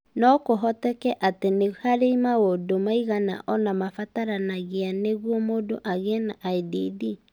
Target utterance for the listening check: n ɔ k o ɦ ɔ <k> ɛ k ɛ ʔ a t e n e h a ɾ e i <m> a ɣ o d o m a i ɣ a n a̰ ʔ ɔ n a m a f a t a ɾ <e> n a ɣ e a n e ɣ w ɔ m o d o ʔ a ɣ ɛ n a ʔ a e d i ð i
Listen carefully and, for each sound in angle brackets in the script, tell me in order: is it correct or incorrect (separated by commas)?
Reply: incorrect, correct, incorrect